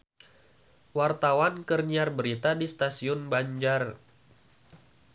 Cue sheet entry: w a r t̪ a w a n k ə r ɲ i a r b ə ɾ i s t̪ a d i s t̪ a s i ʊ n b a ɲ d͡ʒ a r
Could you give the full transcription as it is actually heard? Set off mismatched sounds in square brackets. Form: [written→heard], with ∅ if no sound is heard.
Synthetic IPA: w a r t̪ a w a n k ə r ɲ i a r b ə ɾ i [s→∅] t̪ a d i s t̪ a s i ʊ n b a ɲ d͡ʒ a r